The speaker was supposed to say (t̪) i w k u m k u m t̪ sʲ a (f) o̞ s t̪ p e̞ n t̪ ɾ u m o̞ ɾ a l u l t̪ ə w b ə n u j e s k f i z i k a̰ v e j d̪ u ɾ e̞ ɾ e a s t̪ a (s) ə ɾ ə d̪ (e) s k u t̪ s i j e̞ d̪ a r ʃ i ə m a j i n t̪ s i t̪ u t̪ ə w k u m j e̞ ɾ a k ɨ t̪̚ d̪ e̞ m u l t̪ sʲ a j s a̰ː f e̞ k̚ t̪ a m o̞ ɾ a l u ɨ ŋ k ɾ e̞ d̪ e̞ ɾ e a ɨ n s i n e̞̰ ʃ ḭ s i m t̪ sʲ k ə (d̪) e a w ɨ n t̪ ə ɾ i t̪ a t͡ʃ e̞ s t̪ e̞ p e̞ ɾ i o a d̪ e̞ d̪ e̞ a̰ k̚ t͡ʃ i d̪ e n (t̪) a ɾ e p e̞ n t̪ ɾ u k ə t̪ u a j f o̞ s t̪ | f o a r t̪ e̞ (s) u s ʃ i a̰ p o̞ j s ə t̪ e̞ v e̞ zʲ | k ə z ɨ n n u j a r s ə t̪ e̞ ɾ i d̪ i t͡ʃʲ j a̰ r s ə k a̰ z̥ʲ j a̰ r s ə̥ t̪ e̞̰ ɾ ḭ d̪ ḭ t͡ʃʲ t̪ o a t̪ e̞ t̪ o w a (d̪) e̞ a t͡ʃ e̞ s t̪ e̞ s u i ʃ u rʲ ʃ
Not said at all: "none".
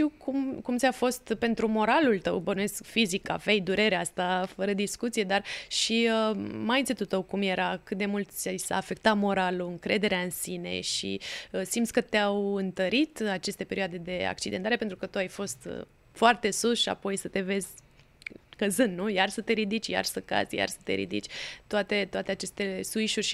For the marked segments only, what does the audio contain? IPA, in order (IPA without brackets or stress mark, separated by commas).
t̪, f, f, i, t̪, t̪, s, t̪